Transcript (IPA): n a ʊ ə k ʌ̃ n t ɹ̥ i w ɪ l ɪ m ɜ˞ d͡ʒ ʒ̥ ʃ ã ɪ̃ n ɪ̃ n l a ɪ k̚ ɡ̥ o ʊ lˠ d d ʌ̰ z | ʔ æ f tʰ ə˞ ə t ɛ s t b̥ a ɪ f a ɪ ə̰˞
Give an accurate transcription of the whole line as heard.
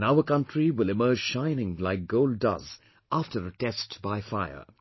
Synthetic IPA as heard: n a ʊ ə k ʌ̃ n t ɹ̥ i w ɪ l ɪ m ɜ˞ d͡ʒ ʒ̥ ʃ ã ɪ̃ n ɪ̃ ŋ l a ɪ k̚ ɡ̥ o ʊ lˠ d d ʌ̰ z | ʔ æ f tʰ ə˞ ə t ɛ s t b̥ a ɪ f a ɪ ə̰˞